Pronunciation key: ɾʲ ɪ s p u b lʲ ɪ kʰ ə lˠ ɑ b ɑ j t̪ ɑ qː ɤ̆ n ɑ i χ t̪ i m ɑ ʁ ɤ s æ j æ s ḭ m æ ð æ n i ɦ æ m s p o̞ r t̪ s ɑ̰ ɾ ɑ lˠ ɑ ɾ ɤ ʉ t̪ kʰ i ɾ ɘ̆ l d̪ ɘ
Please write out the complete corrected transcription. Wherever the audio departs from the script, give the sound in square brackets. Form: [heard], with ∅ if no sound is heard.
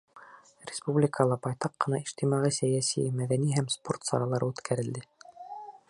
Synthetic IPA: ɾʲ ɪ s p u b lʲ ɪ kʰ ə lˠ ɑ b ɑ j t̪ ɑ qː ɤ̆ n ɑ i [ʃ] t̪ i m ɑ ʁ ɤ s æ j æ s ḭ m æ ð æ n i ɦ æ m s p o̞ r t̪ s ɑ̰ ɾ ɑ lˠ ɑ ɾ ɤ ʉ t̪ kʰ [æ] ɾ ɘ̆ l d̪ ɘ